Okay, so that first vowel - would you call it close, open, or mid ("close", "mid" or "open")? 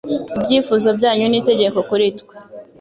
close